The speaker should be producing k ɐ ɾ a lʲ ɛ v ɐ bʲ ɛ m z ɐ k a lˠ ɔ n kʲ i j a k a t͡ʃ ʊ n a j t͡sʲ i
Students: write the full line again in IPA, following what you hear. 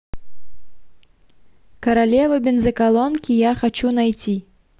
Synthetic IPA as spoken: k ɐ ɾ a lʲ ɛ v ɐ bʲ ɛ n z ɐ k a lˠ ɔ n kʲ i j a x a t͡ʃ u n a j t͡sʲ i